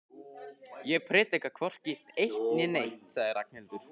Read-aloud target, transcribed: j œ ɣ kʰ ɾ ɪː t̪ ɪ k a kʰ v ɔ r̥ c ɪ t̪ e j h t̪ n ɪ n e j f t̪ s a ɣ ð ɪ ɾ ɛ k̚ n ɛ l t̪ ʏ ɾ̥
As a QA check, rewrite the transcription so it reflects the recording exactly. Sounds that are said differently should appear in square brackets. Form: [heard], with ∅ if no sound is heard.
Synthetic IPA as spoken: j [ɛ] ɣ [pʰ] ɾ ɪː t̪ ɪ k a kʰ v ɔ r̥ c ɪ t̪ e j h t̪ n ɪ n e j [h] t̪ s a ɣ ð ɪ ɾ [a] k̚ n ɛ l t̪ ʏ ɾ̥